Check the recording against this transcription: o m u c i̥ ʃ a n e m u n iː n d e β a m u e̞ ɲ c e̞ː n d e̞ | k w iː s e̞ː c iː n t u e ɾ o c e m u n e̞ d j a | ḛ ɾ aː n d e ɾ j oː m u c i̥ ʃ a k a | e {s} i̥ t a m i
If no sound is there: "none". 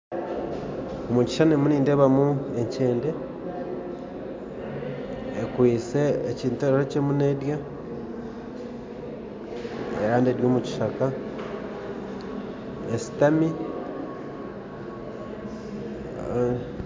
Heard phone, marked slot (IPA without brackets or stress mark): s